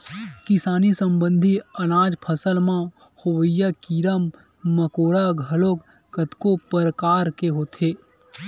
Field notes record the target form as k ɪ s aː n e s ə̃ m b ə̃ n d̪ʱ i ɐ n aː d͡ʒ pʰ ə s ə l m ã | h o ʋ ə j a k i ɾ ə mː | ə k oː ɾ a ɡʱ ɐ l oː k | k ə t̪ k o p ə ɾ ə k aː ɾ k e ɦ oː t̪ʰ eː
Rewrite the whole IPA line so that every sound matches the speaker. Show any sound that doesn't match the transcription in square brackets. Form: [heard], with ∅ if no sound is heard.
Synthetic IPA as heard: k ɪ s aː n [i] s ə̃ m b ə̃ n d̪ʱ i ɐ n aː d͡ʒ pʰ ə s ə l m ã | h o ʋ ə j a k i ɾ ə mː | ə k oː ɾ a ɡʱ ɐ l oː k | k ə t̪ k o p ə ɾ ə k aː ɾ k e ɦ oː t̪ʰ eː